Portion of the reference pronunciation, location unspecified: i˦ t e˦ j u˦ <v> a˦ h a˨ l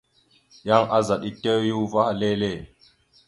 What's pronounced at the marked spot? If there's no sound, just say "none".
v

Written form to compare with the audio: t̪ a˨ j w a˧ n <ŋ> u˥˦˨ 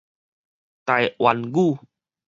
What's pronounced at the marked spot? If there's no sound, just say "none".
ɡ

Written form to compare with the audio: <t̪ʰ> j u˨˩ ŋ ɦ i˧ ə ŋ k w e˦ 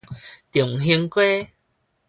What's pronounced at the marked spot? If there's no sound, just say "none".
t̪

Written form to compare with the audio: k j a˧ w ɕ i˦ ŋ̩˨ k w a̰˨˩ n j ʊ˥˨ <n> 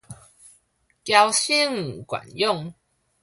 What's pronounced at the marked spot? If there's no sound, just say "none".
ŋ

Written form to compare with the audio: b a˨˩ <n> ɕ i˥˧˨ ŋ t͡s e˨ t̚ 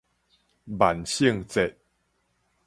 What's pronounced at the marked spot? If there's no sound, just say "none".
n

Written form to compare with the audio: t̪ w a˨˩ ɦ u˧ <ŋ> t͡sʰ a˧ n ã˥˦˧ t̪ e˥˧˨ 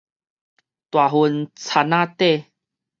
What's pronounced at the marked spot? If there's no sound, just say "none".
n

